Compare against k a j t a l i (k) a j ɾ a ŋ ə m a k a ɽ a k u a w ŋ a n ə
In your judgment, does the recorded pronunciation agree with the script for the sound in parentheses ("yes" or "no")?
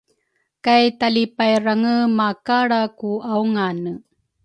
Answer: no